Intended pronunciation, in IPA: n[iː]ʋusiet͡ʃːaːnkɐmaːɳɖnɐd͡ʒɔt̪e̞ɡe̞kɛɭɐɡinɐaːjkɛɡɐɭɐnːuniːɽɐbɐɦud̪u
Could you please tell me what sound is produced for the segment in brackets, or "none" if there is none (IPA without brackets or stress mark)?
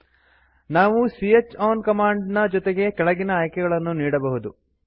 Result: aː